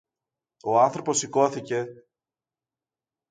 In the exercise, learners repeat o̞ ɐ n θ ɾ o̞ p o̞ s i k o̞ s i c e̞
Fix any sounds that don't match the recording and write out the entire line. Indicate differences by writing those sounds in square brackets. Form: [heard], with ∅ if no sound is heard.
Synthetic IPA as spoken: o̞ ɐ n θ ɾ o̞ p o̞ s i k o̞ [θ] i c e̞

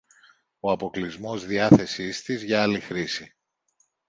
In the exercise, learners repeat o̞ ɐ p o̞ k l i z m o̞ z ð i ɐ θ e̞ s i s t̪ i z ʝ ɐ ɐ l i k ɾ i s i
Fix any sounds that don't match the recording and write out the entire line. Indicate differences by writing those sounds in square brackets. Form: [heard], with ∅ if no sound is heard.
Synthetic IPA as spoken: o̞ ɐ p o̞ k l i z m o̞ z ð i ɐ θ e̞ s i s t̪ i z ʝ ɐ ɐ l i [x] ɾ i s i

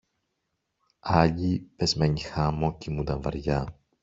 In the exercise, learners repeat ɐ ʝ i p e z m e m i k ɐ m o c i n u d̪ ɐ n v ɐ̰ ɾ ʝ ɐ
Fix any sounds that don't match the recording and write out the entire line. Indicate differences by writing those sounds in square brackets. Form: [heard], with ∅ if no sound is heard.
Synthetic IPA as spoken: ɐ [ʎ] i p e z m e [ɲ] i [x] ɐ m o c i [m] u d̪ ɐ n v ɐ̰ ɾ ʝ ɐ

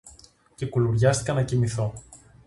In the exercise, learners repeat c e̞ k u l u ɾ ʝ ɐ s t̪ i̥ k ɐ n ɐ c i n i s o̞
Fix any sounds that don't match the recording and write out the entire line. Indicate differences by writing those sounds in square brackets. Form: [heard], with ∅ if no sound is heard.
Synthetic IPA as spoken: c e̞ k u l u ɾ ʝ ɐ s t̪ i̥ k ɐ n ɐ c i [m] i [θ] o̞

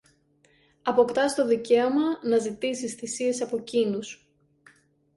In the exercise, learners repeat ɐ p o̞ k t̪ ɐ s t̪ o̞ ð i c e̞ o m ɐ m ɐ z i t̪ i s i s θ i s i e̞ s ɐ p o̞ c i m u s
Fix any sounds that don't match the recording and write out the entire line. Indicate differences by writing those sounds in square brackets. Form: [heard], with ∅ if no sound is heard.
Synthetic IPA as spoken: ɐ p o̞ k t̪ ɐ s t̪ o̞ ð i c e̞ o m ɐ [n] ɐ z i t̪ i s i s θ i s i e̞ s ɐ p o̞ c i [n] u s

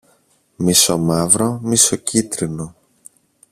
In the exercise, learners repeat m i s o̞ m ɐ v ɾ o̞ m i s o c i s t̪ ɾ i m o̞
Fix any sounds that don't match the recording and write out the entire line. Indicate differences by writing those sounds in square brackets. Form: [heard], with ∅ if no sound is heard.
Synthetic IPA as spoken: m i s o̞ m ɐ v ɾ o̞ m i s o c i [∅] t̪ ɾ i [n] o̞

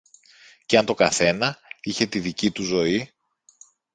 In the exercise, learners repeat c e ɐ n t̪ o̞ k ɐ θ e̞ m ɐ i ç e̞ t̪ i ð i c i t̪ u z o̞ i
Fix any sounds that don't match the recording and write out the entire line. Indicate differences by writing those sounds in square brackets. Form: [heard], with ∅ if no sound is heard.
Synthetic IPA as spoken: c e ɐ n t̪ o̞ k ɐ θ e̞ [n] ɐ i ç e̞ t̪ i ð i c i t̪ u z o̞ i

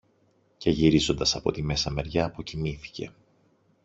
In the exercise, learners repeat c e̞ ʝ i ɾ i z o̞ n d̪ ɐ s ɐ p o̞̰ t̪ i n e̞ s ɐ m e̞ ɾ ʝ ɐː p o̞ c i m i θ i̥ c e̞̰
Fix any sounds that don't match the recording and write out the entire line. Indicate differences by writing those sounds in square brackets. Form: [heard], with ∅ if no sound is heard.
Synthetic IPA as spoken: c e̞ ʝ i ɾ i z o̞ n d̪ ɐ s ɐ p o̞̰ t̪ i [m] e̞ s ɐ m e̞ ɾ ʝ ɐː p o̞ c i m i θ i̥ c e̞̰

